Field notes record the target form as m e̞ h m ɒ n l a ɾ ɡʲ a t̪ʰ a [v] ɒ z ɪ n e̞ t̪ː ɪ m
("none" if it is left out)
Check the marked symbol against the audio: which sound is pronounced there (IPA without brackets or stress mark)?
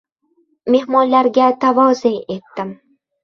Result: v